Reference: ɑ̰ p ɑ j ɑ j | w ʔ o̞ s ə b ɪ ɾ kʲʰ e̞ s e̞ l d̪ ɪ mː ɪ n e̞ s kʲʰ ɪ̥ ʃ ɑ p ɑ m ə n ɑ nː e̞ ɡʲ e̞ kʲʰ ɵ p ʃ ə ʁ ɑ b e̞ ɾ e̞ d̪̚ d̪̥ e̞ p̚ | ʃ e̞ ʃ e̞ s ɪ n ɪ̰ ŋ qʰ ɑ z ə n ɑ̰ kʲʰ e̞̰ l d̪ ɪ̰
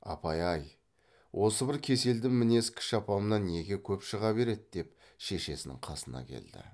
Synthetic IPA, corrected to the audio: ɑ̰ p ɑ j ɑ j | w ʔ o̞ s ə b ɪ ɾ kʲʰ e̞ s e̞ l d̪ ɪ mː ɪ n e̞ s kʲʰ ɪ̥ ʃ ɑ p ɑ m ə n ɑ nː e̞ ɡʲ e̞ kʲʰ ɵ p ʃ ə ʁ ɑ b e̞ ɾ e̞ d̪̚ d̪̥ e̞ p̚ | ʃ e̞ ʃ e̞ s ɪ n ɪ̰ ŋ qʰ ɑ s ə n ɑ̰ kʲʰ e̞̰ l d̪ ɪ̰